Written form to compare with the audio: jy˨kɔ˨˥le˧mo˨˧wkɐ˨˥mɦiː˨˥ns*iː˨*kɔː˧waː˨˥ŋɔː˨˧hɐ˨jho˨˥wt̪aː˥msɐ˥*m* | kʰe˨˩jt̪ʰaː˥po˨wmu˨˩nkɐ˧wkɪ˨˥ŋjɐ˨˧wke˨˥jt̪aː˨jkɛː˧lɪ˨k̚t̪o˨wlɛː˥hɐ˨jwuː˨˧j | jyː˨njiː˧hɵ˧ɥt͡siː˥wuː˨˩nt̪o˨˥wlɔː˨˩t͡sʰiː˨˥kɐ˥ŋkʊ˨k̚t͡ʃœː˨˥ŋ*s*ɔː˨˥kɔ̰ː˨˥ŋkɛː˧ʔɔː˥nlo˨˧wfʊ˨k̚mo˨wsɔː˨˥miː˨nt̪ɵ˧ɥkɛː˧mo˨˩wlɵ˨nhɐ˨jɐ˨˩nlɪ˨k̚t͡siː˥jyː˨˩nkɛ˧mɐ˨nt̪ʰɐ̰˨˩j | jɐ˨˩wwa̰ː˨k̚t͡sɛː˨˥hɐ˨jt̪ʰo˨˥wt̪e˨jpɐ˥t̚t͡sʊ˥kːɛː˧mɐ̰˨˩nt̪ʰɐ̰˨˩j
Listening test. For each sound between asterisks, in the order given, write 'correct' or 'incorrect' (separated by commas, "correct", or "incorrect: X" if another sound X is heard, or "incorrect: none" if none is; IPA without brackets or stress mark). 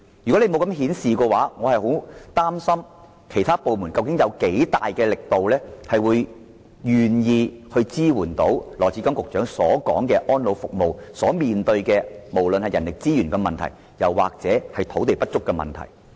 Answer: correct, correct, correct